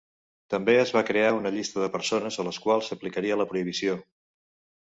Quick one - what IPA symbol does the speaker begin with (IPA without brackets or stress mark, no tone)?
t̪